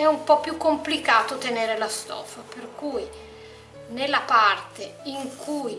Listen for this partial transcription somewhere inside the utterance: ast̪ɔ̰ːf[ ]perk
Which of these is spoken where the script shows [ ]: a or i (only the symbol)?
a